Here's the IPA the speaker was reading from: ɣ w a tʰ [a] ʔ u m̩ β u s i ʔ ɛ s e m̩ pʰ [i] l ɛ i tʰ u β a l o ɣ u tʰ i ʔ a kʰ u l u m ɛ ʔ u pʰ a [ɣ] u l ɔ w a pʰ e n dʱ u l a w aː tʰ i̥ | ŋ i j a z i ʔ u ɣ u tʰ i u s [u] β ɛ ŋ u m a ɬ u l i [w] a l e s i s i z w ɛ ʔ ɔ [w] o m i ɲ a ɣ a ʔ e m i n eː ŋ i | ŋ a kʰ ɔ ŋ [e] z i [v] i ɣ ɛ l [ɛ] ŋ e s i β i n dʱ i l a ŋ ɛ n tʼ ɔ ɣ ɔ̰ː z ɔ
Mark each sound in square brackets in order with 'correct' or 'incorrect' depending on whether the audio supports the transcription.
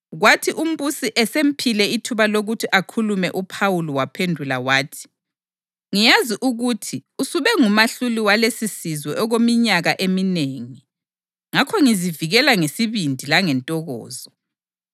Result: incorrect: i, correct, incorrect: w, correct, correct, incorrect: ɣ, incorrect: i, correct, incorrect: a

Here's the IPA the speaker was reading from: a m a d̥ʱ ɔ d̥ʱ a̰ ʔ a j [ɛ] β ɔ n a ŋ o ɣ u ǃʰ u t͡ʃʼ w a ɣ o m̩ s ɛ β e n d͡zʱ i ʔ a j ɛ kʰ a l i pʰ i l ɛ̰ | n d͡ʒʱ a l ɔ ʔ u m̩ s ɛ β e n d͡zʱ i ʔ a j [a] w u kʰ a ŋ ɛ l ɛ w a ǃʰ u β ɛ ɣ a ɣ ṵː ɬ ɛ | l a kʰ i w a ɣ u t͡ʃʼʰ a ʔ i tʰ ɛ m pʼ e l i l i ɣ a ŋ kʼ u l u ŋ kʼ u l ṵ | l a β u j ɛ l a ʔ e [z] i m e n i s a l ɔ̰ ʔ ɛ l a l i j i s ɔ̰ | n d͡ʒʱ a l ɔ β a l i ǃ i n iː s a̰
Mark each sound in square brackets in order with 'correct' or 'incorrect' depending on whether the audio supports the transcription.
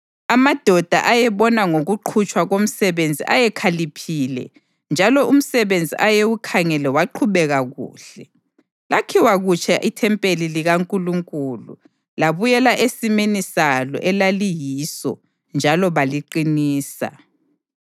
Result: correct, incorrect: e, incorrect: s

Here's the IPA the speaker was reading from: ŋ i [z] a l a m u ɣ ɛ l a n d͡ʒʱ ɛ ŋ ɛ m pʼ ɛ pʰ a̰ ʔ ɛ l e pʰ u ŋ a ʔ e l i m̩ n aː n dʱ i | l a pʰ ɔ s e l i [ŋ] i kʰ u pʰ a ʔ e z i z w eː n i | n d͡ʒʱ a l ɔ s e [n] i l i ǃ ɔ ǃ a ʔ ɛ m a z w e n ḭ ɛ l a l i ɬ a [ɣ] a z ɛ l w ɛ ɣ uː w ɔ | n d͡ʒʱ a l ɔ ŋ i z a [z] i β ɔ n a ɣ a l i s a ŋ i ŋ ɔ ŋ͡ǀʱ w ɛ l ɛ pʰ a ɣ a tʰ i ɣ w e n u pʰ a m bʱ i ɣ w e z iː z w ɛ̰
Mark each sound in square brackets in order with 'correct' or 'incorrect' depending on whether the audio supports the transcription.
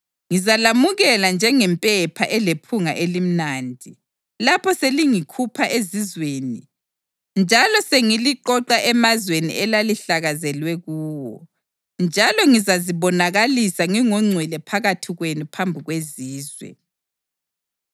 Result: correct, correct, incorrect: ŋ, correct, correct

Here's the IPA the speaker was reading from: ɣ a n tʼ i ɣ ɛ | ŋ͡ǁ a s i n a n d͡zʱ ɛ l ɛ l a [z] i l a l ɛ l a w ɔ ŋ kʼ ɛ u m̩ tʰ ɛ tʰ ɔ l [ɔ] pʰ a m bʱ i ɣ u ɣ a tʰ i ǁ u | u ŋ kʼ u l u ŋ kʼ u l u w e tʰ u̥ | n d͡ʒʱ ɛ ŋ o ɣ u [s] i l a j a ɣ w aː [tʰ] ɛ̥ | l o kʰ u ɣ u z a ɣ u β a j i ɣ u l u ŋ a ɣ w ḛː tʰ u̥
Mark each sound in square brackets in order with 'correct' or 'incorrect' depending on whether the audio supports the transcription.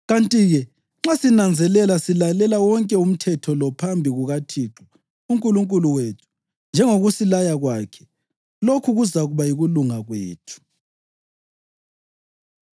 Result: incorrect: s, correct, correct, incorrect: kʰ

